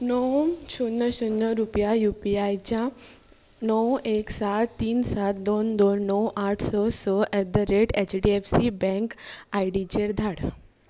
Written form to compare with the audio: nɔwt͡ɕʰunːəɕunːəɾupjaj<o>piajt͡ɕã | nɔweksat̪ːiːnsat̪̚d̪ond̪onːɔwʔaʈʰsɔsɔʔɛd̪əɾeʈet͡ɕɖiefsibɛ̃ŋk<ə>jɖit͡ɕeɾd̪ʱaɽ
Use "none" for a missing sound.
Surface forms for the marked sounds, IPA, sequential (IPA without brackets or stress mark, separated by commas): u, a